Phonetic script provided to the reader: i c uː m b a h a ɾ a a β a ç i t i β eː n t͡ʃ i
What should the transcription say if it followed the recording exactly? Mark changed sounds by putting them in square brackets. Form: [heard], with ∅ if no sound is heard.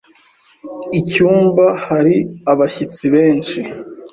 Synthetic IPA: i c uː m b a h a ɾ [i] a β a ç i [t͡s] i β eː n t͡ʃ i